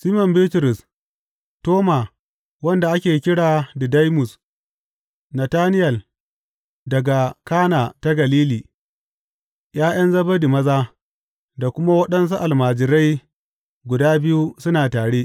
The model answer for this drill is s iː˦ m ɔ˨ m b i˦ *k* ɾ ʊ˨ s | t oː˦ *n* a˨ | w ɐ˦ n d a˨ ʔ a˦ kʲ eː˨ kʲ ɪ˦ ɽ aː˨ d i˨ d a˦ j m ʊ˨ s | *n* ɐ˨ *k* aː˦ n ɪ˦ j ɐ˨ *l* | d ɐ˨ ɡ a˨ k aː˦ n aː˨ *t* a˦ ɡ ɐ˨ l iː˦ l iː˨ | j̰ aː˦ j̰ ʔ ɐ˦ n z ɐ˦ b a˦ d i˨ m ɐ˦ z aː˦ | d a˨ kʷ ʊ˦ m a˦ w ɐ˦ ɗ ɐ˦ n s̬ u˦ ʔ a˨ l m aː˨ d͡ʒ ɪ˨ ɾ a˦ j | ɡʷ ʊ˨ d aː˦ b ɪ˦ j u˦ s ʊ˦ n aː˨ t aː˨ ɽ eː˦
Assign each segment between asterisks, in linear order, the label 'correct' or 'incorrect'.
incorrect: t, incorrect: m, correct, incorrect: t, correct, correct

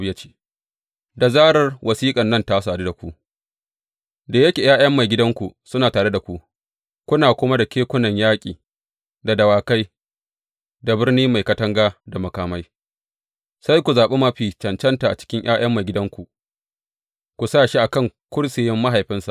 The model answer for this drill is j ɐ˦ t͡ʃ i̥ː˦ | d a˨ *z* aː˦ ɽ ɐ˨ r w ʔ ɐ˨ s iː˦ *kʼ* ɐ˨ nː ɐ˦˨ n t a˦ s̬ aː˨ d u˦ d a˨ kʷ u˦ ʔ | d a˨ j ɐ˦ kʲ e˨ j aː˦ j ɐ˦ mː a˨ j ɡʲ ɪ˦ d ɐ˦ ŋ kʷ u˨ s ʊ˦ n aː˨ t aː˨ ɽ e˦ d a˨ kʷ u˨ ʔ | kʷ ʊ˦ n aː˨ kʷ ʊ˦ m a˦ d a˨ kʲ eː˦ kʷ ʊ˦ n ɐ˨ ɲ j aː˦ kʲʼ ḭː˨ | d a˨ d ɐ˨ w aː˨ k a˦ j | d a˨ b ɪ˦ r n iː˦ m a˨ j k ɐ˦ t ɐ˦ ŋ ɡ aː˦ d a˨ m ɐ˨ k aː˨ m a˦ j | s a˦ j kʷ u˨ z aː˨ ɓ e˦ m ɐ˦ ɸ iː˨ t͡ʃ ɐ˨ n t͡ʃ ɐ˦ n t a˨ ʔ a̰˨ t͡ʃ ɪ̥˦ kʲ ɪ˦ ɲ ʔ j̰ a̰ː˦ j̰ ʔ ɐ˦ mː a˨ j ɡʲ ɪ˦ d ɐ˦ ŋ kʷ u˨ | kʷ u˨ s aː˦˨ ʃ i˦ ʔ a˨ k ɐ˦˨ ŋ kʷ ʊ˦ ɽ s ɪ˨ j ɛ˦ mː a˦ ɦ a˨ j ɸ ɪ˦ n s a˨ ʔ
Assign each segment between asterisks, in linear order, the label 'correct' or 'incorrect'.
correct, correct

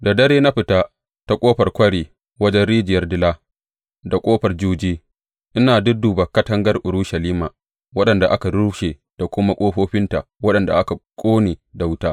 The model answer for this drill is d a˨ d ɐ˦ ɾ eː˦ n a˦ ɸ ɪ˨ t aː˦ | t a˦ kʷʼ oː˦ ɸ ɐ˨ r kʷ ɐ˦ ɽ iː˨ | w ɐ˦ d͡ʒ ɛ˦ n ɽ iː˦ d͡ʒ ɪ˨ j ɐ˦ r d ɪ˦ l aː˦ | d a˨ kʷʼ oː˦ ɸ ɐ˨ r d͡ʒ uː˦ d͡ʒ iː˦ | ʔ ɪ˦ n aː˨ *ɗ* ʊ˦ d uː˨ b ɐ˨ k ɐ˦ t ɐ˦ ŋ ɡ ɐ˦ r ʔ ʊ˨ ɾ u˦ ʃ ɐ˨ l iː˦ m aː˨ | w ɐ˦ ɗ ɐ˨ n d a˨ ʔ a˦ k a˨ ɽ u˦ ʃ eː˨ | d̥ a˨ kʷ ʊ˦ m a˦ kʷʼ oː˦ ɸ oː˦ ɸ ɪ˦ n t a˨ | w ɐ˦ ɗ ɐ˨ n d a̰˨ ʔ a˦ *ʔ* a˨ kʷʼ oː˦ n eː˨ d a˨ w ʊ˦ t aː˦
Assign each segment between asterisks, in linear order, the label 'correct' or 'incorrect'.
incorrect: d, incorrect: k

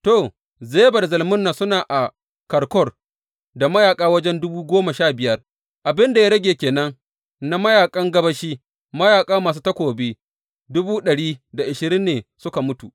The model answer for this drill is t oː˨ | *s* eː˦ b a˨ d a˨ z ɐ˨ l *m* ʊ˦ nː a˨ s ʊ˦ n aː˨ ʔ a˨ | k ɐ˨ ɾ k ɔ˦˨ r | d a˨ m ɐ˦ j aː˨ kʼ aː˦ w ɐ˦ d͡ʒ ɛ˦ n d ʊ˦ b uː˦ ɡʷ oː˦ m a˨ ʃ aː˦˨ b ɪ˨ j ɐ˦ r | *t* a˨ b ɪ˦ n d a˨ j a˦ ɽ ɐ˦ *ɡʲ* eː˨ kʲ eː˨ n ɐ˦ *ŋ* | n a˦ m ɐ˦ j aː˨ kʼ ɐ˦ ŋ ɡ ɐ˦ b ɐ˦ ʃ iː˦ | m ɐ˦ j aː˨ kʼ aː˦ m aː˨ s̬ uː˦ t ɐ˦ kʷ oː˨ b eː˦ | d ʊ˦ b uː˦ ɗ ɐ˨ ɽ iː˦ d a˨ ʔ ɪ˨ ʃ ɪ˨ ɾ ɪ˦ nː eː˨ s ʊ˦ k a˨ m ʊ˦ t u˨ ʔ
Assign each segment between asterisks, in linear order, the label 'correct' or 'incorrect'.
incorrect: z, correct, incorrect: ʔ, correct, correct

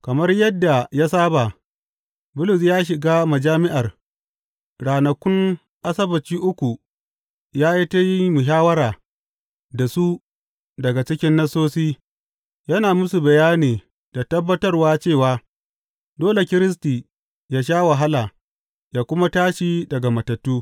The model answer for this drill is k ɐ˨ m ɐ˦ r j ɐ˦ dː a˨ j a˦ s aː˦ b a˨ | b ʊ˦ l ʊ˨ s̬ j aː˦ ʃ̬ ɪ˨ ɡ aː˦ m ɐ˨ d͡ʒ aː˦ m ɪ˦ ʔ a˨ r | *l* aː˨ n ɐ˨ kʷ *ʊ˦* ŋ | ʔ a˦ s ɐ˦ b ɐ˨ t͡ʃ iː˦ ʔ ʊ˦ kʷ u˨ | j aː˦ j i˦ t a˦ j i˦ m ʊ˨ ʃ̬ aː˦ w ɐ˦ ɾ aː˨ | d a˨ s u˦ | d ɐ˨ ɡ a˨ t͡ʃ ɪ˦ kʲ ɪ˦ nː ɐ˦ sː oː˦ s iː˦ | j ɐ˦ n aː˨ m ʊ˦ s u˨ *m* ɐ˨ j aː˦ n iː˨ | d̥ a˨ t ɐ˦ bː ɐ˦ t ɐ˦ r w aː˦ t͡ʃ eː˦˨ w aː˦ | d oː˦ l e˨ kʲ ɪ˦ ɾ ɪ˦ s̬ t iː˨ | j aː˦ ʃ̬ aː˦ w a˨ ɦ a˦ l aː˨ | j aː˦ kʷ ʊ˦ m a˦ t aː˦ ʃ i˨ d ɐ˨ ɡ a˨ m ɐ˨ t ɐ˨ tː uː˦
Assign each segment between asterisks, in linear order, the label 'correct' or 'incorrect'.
incorrect: ɽ, correct, incorrect: b

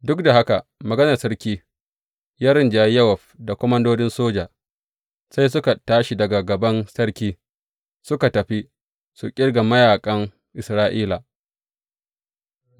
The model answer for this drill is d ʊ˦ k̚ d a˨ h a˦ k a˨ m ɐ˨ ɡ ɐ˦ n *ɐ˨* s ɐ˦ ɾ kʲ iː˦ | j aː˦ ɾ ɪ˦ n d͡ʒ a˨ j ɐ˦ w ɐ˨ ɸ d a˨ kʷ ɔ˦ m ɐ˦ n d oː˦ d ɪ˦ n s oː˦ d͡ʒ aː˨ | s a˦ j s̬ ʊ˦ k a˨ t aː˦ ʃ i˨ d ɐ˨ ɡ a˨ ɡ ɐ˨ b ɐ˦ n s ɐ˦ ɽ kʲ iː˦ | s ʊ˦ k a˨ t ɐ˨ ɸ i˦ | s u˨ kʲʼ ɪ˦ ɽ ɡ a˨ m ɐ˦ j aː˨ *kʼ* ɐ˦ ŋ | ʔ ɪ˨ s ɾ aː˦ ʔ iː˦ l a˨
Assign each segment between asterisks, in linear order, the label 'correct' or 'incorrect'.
correct, correct

